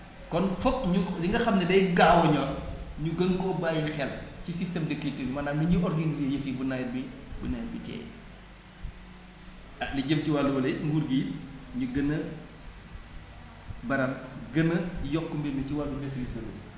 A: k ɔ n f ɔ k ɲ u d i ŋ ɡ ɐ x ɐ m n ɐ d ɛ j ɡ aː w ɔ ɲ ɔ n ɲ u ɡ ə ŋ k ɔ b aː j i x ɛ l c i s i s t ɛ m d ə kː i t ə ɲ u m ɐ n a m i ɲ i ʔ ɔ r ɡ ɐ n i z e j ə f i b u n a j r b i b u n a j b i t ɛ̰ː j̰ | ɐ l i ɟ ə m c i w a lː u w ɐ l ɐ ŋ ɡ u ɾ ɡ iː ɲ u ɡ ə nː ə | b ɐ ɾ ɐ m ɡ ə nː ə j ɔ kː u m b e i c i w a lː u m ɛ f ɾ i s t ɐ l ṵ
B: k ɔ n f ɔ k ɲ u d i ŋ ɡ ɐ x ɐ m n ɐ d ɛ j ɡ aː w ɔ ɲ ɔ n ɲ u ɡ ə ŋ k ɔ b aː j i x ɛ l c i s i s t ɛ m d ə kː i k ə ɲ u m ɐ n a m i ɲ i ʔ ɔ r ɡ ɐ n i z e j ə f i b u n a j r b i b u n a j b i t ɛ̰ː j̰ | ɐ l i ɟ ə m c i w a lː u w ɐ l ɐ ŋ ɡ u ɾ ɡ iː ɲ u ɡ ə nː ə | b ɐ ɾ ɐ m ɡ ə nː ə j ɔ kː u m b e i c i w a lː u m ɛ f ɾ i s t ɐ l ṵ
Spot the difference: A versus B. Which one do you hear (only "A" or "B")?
A